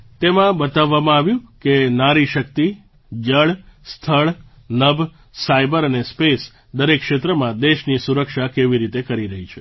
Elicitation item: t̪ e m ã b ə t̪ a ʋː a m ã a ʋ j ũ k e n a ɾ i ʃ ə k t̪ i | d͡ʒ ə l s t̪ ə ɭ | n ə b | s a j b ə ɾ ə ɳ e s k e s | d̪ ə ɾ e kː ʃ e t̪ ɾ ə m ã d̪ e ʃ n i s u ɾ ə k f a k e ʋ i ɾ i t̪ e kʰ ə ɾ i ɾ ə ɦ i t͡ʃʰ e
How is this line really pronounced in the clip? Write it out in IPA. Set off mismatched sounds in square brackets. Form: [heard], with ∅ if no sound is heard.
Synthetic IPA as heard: t̪ e m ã b ə t̪ a ʋː a m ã a ʋ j ũ k e n a ɾ i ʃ ə k t̪ i | d͡ʒ ə [ɭ] s [t̪ʰ] ə ɭ | n ə b | s a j b ə ɾ ə [n] e s [p] e s | d̪ ə ɾ e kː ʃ e t̪ ɾ ə m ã d̪ e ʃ n i s u ɾ ə k [ʃ] a k e ʋ i ɾ i t̪ e [k] ə ɾ i ɾ ə ɦ i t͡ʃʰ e

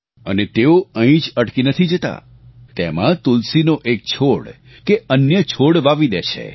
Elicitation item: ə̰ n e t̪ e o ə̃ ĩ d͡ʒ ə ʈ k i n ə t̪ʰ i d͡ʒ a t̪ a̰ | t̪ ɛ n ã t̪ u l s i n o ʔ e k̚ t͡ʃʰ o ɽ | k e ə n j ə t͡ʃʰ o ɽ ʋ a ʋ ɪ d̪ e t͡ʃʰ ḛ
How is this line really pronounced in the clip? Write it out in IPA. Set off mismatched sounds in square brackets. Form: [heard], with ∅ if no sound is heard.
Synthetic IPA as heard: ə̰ n e t̪ e o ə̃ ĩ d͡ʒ ə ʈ k i n ə t̪ʰ i d͡ʒ [ə] t̪ a̰ | t̪ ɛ [m] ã t̪ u l s i n o ʔ e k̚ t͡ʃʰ o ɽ | k e ə n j ə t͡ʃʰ o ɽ ʋ a ʋ [i] d̪ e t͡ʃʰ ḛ

